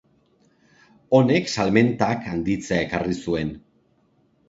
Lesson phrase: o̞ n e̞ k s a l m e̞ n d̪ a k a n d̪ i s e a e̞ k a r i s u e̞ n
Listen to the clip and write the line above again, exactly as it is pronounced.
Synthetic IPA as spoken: o̞ n e̞ k s a l m e̞ n t̪ a k a n d̪ i t͡s e a e̞ k a r i s u e̞ n